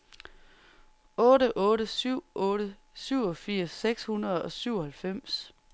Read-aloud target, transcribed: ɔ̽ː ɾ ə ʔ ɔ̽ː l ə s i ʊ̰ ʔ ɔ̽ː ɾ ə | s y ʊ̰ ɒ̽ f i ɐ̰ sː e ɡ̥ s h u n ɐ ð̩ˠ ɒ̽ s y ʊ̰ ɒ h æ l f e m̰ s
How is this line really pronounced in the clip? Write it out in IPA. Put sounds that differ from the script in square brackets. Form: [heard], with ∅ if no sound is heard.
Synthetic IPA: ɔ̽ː ɾ ə ʔ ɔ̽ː [ɾ] ə s [y] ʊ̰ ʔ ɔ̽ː ɾ ə | s y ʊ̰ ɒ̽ f i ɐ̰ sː e ɡ̥ s h u n ɐ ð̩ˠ ɒ̽ s y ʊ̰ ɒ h æ l f e m̰ s